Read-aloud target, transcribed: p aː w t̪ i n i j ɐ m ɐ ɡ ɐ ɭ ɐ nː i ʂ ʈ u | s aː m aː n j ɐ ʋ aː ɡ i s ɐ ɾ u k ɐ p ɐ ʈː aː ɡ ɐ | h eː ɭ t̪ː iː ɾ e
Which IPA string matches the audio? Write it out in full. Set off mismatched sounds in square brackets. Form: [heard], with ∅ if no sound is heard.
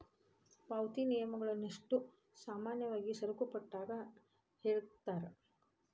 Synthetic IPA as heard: p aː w t̪ i n i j ɐ m ɐ ɡ ɐ ɭ ɐ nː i ʂ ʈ u | s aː m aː n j ɐ ʋ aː ɡ i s ɐ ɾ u k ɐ p ɐ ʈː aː ɡ ɐ | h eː ɭ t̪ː [aː] ɾ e